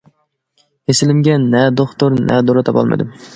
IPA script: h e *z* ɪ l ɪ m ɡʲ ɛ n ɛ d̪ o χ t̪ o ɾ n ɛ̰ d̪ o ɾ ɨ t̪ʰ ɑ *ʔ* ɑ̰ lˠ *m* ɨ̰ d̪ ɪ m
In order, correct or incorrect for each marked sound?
incorrect: s, incorrect: p, correct

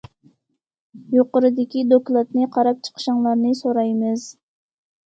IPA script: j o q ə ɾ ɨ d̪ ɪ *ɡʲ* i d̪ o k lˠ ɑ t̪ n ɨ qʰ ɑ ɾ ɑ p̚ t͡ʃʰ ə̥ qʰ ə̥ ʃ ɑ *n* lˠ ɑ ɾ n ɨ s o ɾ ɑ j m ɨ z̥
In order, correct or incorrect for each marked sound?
incorrect: kʲ, incorrect: ŋ

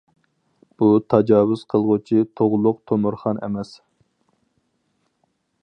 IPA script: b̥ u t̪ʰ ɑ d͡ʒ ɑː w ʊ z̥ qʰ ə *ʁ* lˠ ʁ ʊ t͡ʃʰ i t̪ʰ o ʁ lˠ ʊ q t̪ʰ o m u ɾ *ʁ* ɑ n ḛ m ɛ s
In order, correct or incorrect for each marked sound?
incorrect: none, incorrect: χ

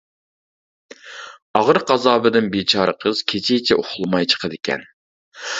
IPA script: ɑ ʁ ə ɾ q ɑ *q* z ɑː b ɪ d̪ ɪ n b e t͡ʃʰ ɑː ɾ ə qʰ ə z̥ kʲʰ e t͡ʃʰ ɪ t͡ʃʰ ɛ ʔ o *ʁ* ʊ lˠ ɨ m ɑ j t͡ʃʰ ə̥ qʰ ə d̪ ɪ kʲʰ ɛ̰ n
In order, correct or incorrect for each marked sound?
incorrect: none, incorrect: χ

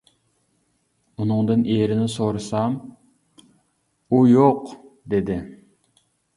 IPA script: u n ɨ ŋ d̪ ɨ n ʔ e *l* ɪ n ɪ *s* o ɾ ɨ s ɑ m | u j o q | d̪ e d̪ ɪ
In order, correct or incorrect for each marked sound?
incorrect: ɾ, correct

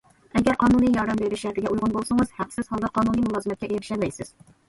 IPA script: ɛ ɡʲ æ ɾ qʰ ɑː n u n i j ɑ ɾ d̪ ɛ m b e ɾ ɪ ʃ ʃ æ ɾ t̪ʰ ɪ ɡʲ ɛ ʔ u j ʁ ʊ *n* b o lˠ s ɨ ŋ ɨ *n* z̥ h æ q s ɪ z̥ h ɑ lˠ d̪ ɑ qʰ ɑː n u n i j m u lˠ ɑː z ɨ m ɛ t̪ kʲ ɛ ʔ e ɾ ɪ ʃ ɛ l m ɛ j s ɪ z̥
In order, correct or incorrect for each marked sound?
correct, incorrect: none

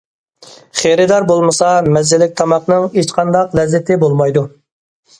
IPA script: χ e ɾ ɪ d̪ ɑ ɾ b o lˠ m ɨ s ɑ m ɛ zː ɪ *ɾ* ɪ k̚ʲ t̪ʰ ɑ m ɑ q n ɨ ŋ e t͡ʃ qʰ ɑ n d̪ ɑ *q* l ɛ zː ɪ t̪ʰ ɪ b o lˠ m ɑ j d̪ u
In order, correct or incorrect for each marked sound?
incorrect: l, correct

